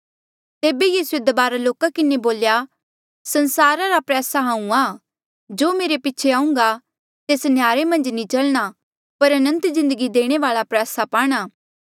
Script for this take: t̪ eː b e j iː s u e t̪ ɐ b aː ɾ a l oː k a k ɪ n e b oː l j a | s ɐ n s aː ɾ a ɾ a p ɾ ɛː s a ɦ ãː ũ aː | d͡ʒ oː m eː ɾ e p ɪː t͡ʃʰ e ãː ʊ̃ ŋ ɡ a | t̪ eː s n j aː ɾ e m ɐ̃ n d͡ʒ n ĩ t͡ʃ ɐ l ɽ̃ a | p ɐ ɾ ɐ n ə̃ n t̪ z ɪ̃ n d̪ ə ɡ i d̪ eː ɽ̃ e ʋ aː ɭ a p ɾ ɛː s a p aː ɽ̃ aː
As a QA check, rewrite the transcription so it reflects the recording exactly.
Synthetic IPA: t̪ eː b e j iː s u e d̪ ɐ b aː ɾ a l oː k a k ɪ n e b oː l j a | s ɐ n s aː ɾ a ɾ a p ɾ ɛː s a ɦ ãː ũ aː | d͡ʒ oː m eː ɾ e p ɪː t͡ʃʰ e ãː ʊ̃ ŋ ɡ a | t̪ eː s n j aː ɾ e m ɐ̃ n d͡ʒ n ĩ t͡ʃ ɐ l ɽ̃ a | p ɐ ɾ ɐ n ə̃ n t̪ z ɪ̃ n d̪ ə ɡ i d̪ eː ɽ̃ e ʋ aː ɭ a p ɾ ɛː s a p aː ɽ̃ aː